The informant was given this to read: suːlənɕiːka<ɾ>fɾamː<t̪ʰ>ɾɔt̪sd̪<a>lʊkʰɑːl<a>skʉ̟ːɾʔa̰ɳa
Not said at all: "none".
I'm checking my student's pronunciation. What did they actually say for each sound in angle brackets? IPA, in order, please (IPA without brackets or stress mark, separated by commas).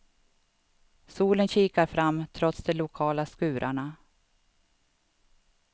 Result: ɾ, t̪ʰ, ɛ, a